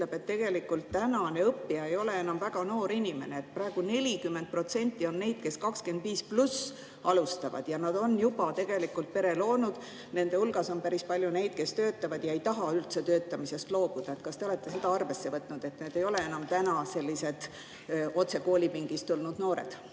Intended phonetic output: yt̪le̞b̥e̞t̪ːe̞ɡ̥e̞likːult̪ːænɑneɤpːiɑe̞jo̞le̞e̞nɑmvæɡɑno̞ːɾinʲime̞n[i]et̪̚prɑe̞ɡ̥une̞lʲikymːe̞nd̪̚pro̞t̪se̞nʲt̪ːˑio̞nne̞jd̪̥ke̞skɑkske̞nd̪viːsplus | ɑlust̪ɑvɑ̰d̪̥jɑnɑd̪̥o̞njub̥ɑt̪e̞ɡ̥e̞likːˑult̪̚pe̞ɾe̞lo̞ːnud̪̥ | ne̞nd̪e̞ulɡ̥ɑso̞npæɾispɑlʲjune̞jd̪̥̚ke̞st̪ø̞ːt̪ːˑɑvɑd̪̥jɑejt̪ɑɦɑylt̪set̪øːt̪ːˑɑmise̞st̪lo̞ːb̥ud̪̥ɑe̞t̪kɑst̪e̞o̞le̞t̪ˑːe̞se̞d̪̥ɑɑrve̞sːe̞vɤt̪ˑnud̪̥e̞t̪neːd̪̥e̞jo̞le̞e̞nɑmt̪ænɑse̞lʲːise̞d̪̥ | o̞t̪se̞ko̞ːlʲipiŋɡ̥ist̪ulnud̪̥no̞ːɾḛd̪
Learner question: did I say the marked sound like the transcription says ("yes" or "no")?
no